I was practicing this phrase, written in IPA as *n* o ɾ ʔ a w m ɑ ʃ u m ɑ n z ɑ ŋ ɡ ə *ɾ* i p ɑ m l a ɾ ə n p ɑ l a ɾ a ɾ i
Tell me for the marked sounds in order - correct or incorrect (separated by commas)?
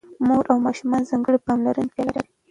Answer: incorrect, incorrect